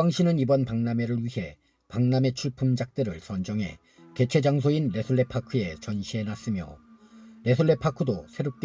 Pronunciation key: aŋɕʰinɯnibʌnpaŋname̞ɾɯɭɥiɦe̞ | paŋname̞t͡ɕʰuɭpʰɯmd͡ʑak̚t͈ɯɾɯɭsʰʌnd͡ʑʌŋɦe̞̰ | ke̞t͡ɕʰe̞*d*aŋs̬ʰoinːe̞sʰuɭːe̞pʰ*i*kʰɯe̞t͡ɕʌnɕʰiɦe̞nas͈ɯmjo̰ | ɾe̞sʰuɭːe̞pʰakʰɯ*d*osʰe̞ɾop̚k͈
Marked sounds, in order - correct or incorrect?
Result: incorrect: d͡ʑ, incorrect: a, correct

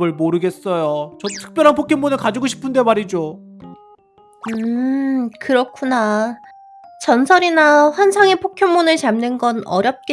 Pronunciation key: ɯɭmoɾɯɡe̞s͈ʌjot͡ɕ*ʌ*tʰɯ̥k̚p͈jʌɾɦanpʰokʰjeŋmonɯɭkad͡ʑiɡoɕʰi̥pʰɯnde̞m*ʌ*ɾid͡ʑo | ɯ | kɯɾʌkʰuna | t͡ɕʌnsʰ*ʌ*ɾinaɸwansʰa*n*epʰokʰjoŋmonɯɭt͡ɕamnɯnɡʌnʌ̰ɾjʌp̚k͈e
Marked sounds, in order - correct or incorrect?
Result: correct, incorrect: a, correct, incorrect: ŋ

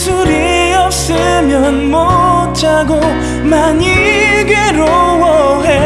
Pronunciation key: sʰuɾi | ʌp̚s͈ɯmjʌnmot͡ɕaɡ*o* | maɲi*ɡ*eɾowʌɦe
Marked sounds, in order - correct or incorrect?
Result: correct, correct

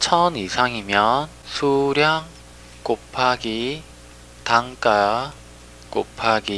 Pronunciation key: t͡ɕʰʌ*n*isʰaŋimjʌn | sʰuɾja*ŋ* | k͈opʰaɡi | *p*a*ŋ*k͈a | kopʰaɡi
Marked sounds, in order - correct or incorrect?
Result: correct, correct, incorrect: t, correct

